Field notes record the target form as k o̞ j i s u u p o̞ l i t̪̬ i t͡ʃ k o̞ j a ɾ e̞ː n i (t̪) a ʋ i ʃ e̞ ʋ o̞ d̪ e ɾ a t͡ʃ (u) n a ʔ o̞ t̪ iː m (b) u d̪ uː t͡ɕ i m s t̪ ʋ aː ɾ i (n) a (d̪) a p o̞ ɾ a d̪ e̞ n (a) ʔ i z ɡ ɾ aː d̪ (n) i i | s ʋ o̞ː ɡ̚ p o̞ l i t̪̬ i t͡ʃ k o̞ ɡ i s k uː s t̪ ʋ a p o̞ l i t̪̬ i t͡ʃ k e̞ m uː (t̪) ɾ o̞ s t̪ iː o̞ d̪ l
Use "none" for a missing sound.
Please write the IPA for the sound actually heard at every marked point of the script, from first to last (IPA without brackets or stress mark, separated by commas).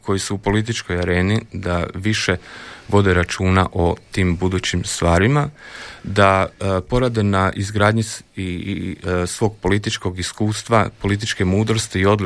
d̪, uː, b, m, d̪, a, ɲ, d̪